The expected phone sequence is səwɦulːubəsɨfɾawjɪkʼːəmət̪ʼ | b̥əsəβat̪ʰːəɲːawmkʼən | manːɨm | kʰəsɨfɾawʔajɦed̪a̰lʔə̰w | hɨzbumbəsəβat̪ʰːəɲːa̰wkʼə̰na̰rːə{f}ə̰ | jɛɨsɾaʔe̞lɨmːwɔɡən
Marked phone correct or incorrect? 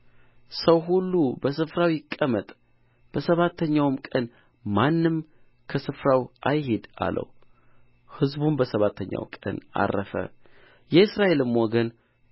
correct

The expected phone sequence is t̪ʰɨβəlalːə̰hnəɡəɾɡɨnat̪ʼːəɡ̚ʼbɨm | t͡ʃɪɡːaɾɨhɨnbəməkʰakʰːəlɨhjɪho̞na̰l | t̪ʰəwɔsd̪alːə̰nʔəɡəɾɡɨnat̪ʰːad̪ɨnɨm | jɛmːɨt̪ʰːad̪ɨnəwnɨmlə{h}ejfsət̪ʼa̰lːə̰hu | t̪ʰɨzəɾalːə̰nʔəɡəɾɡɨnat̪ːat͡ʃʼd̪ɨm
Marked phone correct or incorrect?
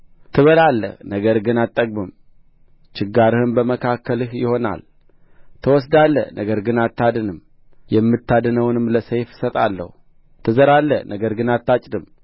incorrect: s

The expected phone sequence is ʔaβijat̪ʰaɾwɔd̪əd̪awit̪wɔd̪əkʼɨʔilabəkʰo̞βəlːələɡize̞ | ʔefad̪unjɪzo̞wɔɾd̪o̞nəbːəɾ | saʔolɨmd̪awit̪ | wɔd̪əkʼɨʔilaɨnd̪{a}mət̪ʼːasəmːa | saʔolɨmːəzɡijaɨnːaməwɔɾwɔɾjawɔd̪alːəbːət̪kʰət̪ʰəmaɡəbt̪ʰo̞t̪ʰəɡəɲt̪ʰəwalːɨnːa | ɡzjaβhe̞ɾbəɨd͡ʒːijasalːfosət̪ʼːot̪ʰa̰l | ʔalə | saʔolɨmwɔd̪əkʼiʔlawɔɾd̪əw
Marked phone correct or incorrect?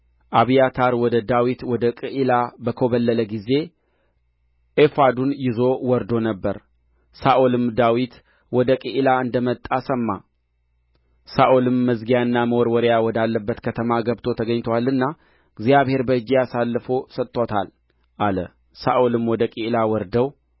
incorrect: ə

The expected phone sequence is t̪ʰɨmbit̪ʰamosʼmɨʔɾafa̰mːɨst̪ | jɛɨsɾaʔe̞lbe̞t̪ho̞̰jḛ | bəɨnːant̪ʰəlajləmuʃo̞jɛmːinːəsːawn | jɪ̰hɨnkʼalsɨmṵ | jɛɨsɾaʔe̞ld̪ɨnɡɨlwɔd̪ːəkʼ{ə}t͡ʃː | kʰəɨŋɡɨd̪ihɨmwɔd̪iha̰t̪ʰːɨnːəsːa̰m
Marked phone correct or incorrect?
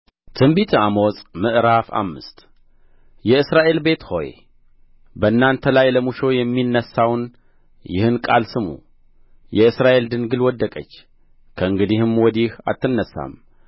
correct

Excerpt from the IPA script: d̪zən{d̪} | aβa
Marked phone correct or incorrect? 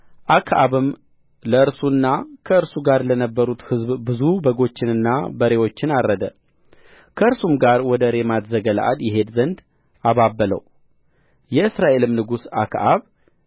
correct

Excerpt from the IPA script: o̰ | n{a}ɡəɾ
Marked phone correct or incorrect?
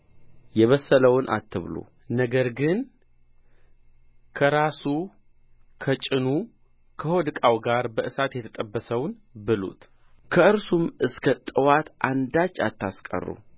incorrect: ə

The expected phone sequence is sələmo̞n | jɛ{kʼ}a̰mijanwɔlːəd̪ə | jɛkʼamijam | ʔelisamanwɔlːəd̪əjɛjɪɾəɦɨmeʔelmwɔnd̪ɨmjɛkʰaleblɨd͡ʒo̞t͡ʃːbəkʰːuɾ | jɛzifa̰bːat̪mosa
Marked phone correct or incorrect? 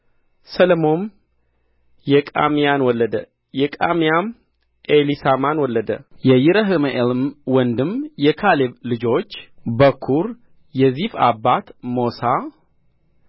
correct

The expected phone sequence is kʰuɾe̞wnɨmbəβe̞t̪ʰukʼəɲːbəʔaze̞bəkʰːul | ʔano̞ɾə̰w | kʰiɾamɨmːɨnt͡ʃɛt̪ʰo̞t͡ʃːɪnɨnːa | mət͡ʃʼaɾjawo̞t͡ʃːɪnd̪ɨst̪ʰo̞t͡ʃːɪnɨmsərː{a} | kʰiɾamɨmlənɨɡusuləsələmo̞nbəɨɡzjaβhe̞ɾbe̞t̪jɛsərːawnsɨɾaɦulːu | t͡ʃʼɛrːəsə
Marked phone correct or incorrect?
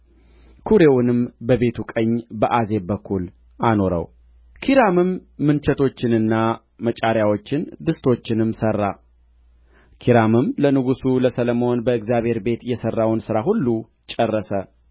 correct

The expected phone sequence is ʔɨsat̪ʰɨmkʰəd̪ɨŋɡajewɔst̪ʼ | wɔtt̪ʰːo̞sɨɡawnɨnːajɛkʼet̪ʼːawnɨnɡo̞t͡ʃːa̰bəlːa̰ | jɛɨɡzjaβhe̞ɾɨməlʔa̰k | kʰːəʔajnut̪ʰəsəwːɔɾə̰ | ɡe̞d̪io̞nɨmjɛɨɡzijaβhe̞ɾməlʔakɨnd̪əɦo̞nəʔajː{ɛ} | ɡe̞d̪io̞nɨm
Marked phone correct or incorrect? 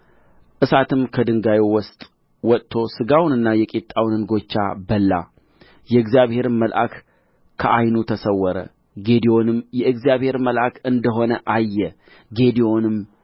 correct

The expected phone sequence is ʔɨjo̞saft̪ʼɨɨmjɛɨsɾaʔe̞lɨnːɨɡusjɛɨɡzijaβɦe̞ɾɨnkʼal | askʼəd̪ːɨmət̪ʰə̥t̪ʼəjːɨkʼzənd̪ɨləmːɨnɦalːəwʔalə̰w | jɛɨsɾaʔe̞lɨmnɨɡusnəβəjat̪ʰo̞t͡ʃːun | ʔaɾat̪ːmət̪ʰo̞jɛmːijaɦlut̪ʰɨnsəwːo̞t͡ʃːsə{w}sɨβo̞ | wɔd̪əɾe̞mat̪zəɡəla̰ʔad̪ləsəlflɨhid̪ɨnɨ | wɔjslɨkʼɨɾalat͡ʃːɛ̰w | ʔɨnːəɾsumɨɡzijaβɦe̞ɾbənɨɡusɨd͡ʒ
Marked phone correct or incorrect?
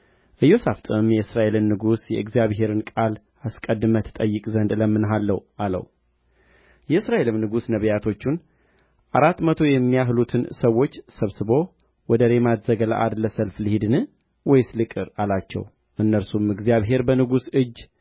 incorrect: β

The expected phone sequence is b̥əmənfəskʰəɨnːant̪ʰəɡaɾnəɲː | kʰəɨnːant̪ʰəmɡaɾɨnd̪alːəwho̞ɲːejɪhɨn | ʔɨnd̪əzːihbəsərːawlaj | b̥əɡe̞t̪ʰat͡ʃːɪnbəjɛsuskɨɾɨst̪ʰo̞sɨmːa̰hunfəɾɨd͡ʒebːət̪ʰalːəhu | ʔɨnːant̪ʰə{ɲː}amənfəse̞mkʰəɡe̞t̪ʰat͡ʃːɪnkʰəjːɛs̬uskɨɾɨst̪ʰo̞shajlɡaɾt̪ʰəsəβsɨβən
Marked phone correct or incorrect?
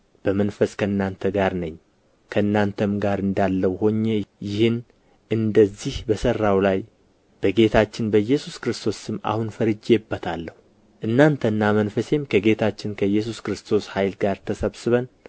incorrect: nː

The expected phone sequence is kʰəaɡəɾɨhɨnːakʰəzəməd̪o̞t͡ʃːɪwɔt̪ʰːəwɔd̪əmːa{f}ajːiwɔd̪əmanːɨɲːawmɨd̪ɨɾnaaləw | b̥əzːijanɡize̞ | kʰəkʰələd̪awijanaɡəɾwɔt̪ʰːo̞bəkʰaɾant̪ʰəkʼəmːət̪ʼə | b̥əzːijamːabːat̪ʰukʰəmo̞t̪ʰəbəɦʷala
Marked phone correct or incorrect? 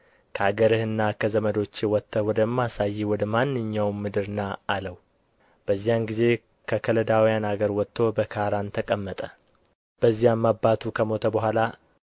incorrect: s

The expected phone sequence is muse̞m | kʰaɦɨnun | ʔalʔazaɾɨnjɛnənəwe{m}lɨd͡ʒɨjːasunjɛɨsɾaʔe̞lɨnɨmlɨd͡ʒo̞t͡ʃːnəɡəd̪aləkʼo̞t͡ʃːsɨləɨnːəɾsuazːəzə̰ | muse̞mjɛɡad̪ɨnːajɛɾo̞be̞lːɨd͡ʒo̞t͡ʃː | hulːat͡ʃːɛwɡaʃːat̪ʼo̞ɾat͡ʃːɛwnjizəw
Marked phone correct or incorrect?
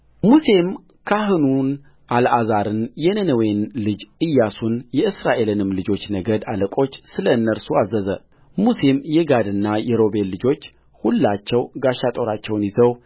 incorrect: n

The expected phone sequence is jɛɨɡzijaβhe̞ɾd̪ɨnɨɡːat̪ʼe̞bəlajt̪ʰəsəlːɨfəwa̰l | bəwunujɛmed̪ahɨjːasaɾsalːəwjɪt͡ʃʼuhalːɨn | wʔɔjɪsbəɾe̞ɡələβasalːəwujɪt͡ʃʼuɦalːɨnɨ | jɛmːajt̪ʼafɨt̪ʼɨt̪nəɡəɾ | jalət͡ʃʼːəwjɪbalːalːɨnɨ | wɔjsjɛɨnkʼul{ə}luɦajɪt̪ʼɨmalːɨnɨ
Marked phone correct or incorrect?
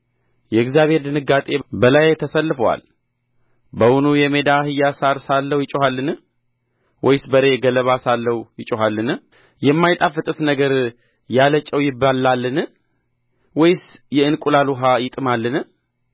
incorrect: a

